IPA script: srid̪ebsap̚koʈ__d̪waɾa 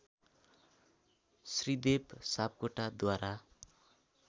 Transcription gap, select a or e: a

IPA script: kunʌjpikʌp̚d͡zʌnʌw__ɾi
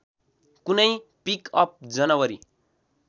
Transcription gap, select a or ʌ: ʌ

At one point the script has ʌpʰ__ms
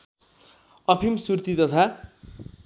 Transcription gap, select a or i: i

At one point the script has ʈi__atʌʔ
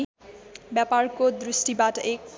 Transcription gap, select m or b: b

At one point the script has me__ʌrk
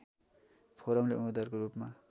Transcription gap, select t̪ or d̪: d̪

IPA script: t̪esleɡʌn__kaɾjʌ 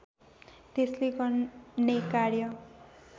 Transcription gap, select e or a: e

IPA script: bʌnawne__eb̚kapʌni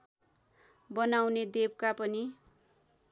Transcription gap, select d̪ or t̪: d̪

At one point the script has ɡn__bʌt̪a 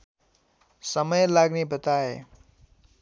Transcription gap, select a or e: e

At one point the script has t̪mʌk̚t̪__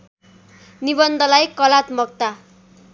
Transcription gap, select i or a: a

